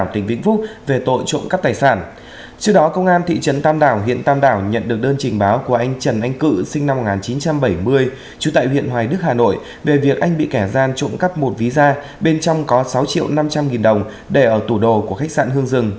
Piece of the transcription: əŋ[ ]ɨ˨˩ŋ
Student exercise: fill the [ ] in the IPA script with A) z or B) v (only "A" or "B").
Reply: A